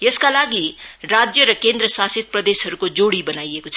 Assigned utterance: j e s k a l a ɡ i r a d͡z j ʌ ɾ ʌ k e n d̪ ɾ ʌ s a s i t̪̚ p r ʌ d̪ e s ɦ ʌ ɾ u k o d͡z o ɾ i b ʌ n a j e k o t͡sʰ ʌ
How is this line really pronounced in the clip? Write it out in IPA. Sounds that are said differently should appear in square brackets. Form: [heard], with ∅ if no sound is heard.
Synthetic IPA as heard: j e s k a l a ɡ i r a d͡z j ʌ ɾ ʌ k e n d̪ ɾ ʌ s a s i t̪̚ p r ʌ d̪ e s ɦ ʌ ɾ u k o d͡z o [ɽ] i b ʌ n a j e k o t͡sʰ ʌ